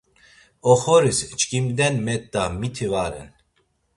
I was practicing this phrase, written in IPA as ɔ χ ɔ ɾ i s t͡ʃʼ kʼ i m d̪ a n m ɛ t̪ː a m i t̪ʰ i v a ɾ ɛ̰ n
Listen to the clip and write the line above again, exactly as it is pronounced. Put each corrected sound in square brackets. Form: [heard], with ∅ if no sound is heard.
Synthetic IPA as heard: ɔ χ ɔ ɾ i s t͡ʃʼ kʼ i m d̪ [ɛ] n m ɛ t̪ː a m i t̪ʰ i v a ɾ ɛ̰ n

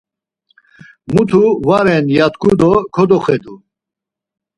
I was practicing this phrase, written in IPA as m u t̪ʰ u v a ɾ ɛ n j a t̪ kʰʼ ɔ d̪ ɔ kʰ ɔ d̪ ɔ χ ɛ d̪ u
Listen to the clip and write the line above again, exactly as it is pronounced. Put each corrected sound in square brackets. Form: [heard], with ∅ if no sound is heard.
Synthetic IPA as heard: m u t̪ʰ u v a ɾ ɛ n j a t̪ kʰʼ [u] d̪ ɔ kʰ ɔ d̪ ɔ χ ɛ d̪ u

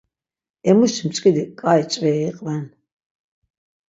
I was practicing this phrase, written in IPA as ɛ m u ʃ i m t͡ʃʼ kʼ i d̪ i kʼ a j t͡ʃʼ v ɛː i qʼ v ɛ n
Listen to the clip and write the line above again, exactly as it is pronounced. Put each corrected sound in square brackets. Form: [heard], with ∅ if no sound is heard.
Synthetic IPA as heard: ɛ m u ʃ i m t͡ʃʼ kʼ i d̪ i kʼ a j t͡ʃʼ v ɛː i qʼ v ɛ n

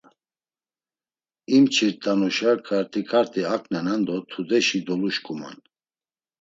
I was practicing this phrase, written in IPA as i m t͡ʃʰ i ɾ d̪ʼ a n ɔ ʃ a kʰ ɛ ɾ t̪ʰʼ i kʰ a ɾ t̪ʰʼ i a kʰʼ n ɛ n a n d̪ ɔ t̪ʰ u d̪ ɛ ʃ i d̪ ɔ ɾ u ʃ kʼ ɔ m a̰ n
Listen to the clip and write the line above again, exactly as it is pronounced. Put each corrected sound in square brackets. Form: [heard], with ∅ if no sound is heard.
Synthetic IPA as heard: i m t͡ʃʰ i ɾ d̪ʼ a n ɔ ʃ a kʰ [a] ɾ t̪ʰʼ i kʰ a ɾ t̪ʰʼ i a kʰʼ n ɛ n a n d̪ ɔ t̪ʰ u d̪ ɛ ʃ i d̪ ɔ [l] u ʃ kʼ [u] m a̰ n

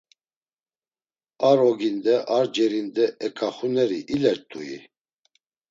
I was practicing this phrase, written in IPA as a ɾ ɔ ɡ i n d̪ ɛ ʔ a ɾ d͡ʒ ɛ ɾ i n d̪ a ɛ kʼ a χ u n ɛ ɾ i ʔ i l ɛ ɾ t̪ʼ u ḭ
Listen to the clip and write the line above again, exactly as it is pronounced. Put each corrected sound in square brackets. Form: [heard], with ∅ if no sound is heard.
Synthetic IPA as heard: a ɾ ɔ ɡ i n d̪ ɛ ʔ a ɾ d͡ʒ ɛ ɾ i n d̪ [ɛ] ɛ kʼ a χ u n ɛ ɾ i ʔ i l ɛ ɾ t̪ʼ u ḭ

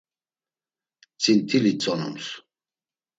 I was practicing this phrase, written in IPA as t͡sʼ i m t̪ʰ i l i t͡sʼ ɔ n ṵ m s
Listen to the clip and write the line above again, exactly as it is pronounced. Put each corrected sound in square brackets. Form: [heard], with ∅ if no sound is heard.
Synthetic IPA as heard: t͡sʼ i [n] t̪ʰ i l i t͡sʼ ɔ n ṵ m s

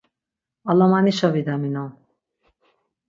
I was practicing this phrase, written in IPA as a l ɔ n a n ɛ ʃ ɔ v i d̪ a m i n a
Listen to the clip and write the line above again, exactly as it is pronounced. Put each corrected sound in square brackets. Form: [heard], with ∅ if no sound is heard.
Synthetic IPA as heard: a l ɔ [m] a n [i] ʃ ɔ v i d̪ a m i n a

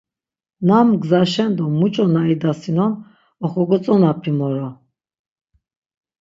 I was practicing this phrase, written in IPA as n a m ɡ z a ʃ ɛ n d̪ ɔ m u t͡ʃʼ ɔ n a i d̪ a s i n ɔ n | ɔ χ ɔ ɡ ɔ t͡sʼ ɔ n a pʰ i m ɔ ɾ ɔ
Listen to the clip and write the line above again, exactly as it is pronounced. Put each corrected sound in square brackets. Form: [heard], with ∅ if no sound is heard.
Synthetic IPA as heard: n a m ɡ z a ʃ ɛ n d̪ ɔ m u t͡ʃʼ ɔ n a i d̪ a s i n ɔ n | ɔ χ ɔ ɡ ɔ t͡sʼ ɔ n a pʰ i m ɔ ɾ ɔ

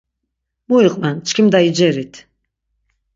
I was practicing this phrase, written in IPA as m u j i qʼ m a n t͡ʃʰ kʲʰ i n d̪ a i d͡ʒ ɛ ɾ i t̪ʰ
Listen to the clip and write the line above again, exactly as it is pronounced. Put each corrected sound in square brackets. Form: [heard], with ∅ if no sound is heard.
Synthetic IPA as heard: m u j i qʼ m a n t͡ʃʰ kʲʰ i [m] d̪ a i d͡ʒ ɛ ɾ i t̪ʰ

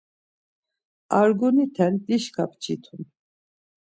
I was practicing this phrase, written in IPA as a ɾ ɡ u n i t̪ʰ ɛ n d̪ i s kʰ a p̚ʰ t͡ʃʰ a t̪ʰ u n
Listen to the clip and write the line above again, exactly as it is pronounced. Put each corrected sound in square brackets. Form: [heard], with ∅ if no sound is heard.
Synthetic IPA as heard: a ɾ ɡ u n i t̪ʰ ɛ n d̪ i [ʃ] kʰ a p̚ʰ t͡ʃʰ [i] t̪ʰ u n

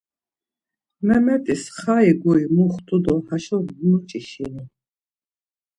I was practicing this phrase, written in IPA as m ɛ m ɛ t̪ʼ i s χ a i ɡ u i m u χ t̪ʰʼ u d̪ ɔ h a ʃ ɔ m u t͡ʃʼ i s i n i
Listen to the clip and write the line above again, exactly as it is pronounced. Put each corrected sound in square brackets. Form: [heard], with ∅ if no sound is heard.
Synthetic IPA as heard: m ɛ m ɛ t̪ʼ i s χ a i ɡ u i m u χ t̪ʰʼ u d̪ ɔ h a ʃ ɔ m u t͡ʃʼ i [ʃ] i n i

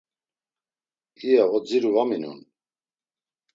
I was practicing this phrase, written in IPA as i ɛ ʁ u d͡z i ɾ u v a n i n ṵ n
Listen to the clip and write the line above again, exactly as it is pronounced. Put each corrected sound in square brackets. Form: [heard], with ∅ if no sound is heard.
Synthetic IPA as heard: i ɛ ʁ [ɔ] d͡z i ɾ u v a [m] i n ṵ n

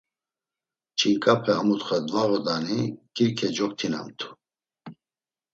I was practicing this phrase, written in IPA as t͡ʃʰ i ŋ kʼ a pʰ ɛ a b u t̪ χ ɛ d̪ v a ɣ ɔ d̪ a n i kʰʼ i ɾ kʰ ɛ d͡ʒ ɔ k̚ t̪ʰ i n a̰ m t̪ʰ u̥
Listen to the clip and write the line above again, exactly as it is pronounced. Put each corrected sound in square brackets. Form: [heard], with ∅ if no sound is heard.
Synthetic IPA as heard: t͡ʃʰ i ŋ kʼ a pʰ ɛ a [m] u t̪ χ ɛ d̪ v a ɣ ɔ d̪ a n i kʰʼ i ɾ kʰ ɛ d͡ʒ ɔ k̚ t̪ʰ i n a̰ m t̪ʰ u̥

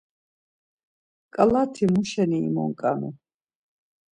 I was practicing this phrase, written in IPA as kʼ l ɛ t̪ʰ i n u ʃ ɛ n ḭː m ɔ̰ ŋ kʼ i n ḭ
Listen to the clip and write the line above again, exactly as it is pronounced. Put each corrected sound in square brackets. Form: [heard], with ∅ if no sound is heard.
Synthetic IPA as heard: kʼ l [a] t̪ʰ i [m] u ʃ ɛ n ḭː m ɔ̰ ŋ kʼ [a] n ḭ

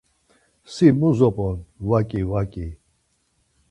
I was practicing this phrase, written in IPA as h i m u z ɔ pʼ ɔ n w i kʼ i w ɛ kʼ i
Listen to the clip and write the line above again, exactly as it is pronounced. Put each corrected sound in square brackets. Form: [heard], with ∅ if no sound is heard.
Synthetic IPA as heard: [s] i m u z ɔ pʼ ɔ n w [a] kʼ i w [a] kʼ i

